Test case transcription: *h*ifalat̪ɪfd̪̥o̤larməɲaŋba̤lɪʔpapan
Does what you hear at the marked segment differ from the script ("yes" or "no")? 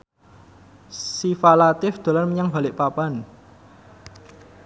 yes